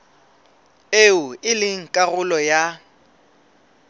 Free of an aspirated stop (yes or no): yes